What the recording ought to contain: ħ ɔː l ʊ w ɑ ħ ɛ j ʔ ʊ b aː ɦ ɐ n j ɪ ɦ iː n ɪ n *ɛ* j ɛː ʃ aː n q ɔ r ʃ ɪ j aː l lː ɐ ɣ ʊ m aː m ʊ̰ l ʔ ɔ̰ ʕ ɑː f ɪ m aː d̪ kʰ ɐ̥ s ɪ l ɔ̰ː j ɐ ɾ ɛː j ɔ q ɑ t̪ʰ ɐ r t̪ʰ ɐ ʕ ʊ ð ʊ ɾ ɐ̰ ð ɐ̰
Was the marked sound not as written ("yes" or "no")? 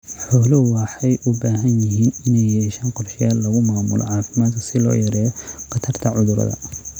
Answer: no